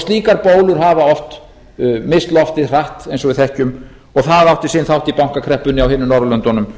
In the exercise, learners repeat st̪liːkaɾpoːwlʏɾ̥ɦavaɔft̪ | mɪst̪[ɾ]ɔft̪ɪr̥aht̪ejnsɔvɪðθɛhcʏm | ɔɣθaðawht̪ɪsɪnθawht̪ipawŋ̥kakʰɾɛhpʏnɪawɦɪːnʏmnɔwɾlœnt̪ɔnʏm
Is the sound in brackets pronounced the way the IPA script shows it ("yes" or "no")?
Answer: no